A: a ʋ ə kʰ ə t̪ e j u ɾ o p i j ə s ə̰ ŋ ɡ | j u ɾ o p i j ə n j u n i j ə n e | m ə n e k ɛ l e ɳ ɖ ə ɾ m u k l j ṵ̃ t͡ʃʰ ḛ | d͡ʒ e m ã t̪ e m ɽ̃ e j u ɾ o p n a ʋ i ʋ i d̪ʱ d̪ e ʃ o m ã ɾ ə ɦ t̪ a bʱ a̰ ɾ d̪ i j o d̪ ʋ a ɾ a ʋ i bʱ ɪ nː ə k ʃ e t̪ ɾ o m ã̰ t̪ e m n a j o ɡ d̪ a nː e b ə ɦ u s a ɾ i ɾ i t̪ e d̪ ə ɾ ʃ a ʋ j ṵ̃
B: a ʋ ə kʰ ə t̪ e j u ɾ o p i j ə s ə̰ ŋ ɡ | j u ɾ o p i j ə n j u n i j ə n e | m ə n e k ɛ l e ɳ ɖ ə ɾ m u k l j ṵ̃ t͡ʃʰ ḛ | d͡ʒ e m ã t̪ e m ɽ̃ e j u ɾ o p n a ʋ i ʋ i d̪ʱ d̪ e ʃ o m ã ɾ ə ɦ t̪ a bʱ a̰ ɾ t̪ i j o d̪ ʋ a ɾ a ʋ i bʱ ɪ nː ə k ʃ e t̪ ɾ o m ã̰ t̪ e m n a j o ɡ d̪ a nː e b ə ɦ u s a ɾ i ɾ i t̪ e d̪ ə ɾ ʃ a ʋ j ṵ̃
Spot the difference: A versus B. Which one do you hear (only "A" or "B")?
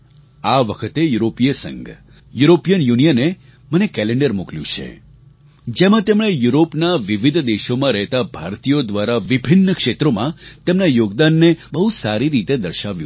B